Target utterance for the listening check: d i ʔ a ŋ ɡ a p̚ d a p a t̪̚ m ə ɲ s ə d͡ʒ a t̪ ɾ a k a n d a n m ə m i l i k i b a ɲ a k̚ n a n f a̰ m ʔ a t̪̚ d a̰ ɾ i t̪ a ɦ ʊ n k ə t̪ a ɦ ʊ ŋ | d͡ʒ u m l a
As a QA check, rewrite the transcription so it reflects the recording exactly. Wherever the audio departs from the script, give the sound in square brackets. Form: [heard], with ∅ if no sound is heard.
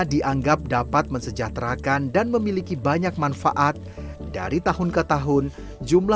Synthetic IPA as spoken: d i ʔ a ŋ ɡ a p̚ d a p a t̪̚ m ə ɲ s ə d͡ʒ a t̪ ɾ a k a n d a n m ə m i l i k i b a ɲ a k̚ [m] a n f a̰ [∅] ʔ a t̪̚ d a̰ ɾ i t̪ a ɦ ʊ n k ə t̪ a ɦ ʊ [n] | d͡ʒ u m l a